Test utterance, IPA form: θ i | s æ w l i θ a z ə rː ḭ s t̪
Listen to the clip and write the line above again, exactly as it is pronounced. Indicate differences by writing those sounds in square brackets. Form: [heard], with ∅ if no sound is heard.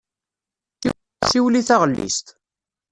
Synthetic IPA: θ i | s [i] w l i θ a [ʁ] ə [lː] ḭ s t̪